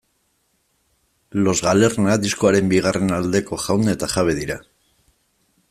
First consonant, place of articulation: alveolar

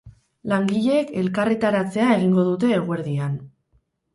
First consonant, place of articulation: alveolar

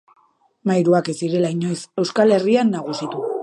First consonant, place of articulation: labial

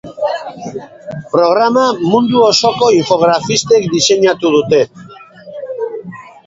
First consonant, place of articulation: labial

